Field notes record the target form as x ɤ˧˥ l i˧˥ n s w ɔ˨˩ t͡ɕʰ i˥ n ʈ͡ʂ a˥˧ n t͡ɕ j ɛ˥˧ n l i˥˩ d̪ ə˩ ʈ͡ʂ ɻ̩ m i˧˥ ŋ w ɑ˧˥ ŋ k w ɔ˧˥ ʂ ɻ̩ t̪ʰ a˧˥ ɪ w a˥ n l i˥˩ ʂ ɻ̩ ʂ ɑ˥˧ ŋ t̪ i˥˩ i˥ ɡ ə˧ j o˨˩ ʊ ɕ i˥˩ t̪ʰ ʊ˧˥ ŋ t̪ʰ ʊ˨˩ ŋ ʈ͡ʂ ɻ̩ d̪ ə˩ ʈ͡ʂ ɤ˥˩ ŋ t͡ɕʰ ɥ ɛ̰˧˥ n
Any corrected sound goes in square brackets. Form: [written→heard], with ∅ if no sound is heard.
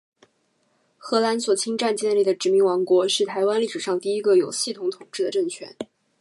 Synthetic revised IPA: x ɤ˧˥ l [i˧˥→a˧˥] n s w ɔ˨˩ t͡ɕʰ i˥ [n→ŋ] ʈ͡ʂ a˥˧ n t͡ɕ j ɛ˥˧ n l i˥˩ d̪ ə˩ ʈ͡ʂ ɻ̩ m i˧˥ ŋ w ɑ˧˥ ŋ k w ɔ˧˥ ʂ ɻ̩ t̪ʰ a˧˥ ɪ w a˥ n l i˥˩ ʂ ɻ̩ ʂ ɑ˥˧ ŋ t̪ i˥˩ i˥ ɡ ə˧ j o˨˩ ʊ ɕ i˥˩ t̪ʰ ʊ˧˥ ŋ t̪ʰ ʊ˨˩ ŋ ʈ͡ʂ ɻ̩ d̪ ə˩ ʈ͡ʂ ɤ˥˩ ŋ t͡ɕʰ ɥ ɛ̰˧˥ n